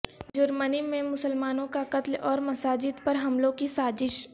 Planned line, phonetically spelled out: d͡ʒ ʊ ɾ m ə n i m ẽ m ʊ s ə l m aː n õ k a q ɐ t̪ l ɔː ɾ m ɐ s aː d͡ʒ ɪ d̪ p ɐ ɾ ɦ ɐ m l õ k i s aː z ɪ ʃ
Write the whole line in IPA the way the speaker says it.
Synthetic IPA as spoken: d͡ʒ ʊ ɾ m ə n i m ẽ m ʊ s ə l m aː n õ k a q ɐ t̪ l ɔː ɾ m ɐ s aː d͡ʒ ɪ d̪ p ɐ ɾ ɦ ɐ m l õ k i s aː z ɪ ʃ